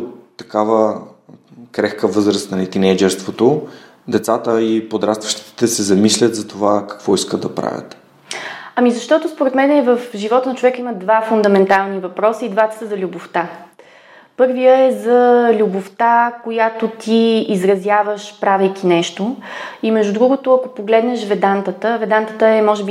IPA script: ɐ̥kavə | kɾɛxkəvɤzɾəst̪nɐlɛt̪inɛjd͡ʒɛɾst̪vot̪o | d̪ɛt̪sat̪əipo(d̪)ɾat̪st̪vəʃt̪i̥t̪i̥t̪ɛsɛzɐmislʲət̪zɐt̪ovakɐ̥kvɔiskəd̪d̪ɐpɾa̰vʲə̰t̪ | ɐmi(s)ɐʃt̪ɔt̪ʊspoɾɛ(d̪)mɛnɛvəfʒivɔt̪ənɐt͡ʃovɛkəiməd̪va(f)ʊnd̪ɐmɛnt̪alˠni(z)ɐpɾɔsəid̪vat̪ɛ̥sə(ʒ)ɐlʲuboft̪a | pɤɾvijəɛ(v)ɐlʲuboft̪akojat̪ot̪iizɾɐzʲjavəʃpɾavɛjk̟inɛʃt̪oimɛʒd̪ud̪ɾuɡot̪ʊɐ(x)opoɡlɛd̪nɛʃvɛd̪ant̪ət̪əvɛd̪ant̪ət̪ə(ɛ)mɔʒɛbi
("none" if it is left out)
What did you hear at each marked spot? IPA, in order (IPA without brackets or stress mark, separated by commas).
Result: d̪, z, t̪, f, v, z, z, k, ɛ